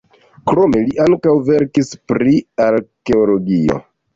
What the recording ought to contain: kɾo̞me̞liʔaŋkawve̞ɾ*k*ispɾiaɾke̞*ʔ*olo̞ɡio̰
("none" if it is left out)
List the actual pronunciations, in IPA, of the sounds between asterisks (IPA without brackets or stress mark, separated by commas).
k, none